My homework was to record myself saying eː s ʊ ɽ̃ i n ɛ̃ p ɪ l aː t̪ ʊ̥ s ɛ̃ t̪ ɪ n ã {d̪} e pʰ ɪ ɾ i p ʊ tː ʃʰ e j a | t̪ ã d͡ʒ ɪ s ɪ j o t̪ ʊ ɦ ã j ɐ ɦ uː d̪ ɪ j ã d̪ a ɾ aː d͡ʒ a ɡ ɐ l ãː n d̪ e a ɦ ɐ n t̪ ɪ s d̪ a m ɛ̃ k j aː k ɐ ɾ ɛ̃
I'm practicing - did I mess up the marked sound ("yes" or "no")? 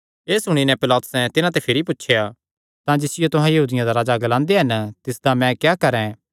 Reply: yes